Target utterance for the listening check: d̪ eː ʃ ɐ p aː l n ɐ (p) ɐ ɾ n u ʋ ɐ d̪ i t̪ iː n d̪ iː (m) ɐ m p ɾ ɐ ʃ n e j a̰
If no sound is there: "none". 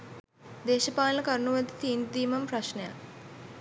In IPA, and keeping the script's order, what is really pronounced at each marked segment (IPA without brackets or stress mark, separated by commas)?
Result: k, m